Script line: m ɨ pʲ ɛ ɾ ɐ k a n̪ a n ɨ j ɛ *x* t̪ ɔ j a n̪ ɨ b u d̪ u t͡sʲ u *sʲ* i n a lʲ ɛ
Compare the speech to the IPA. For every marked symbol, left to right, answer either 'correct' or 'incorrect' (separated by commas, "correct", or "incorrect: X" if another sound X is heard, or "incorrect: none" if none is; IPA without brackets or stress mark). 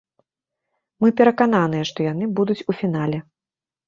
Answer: incorrect: ʂ, incorrect: fʲ